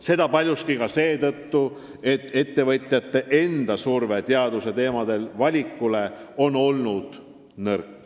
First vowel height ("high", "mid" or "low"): mid